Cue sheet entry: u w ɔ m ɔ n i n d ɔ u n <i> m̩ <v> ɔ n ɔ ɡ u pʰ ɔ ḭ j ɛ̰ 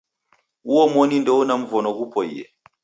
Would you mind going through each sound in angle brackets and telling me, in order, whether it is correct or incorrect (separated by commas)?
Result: incorrect, correct